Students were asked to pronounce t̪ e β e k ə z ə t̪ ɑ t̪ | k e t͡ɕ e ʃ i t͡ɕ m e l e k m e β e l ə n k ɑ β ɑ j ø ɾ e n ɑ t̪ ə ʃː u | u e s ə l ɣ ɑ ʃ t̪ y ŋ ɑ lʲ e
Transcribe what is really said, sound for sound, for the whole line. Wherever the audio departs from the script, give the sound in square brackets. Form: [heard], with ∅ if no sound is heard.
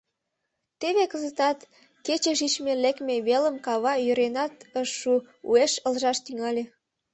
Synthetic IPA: t̪ e β e k ə z ə t̪ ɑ t̪ | k e t͡ɕ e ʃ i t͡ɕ m e l e k m e β e l ə [m] k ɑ β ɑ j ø ɾ e n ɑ t̪ ə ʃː u | u e [ʃ] ə l [ʒ] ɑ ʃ t̪ y ŋ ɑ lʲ e